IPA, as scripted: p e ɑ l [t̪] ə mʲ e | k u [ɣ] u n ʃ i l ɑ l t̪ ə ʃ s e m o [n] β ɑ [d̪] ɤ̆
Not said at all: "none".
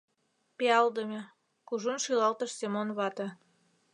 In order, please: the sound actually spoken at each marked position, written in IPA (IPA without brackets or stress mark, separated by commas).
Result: d̪, ʒ, n, t̪